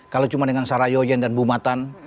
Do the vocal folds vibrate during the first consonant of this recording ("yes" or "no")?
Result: no